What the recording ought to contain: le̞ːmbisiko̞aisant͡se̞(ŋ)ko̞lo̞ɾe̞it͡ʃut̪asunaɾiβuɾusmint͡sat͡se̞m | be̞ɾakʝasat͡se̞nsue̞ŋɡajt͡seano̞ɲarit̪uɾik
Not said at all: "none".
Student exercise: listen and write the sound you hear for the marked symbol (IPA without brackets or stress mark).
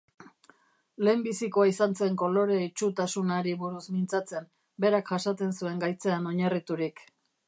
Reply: ŋ